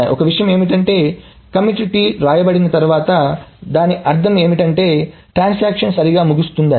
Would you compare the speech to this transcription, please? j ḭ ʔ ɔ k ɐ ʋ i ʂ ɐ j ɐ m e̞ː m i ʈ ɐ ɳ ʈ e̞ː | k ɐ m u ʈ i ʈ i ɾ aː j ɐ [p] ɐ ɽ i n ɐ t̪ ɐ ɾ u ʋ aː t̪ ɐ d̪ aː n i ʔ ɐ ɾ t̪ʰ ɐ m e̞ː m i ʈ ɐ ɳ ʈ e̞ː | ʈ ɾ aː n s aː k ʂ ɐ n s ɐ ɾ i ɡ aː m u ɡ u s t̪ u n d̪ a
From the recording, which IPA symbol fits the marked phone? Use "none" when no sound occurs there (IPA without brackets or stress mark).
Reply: b